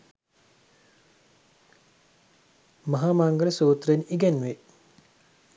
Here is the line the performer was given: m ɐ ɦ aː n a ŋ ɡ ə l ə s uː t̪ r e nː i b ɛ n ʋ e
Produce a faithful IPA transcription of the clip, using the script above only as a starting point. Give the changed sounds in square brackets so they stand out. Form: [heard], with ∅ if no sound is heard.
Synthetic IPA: m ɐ ɦ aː [m] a ŋ ɡ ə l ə s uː t̪ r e [n] i [ɡ] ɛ n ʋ e